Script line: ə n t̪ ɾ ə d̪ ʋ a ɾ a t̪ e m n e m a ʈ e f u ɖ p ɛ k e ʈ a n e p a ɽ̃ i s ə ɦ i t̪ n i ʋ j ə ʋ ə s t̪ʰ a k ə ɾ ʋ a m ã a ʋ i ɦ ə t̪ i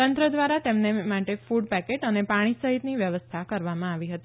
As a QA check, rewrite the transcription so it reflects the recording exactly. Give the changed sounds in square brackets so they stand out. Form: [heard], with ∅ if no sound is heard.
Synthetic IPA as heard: ə n t̪ ɾ ə d̪ ʋ a ɾ a t̪ e m n e m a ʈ e f u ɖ p ɛ k e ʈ [ə] n e p a ɽ̃ i s ə ɦ i t̪ n i ʋ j ə ʋ ə s t̪ʰ a k ə ɾ ʋ a m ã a ʋ i ɦ ə t̪ i